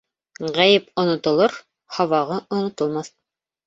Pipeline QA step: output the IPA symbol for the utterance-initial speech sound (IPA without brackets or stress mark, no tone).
ʁ